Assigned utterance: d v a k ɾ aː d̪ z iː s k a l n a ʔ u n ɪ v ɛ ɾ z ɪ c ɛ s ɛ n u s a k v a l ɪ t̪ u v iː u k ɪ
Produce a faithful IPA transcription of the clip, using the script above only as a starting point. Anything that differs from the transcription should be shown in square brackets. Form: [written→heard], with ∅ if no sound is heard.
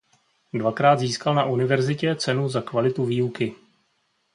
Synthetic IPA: d v a k ɾ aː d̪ z iː s k a l n a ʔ u n ɪ v ɛ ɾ z ɪ c ɛ [s→t͡s] ɛ n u [s→z] a k v a l ɪ t̪ u v iː u k ɪ